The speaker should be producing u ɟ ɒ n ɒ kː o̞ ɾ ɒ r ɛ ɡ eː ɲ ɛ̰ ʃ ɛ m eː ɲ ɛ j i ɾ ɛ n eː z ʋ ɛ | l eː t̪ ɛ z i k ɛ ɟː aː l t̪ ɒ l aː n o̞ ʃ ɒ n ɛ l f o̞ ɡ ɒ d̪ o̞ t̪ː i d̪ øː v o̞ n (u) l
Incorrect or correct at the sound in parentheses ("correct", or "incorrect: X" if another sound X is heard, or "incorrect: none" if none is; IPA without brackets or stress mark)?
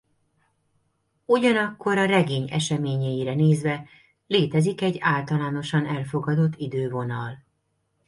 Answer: incorrect: ɒ